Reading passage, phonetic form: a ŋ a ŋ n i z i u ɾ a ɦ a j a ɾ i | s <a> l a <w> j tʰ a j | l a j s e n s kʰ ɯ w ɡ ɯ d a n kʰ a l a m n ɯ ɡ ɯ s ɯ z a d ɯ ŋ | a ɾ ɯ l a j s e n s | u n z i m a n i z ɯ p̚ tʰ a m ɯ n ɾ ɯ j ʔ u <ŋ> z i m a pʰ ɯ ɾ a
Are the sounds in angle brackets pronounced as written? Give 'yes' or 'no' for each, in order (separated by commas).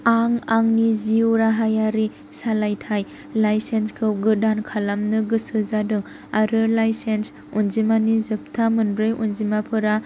yes, no, no